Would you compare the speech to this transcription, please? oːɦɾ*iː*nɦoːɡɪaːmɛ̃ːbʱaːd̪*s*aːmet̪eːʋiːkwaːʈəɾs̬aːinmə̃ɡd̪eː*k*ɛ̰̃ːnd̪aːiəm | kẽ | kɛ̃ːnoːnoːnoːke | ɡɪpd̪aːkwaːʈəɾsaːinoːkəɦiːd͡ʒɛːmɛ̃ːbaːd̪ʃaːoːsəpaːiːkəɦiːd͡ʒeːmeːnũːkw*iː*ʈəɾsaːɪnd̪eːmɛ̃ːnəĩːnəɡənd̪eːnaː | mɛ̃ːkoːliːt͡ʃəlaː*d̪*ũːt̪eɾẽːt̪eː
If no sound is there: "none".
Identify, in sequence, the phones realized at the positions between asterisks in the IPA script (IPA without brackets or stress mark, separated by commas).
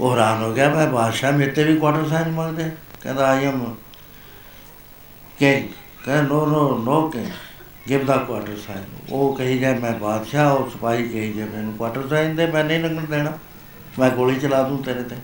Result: aː, ʃ, k, aː, d̪